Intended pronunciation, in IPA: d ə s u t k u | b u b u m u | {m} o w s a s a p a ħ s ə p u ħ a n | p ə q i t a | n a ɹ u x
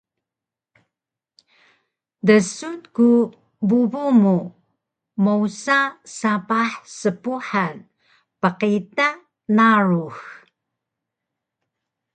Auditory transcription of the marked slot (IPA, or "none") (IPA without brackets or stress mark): m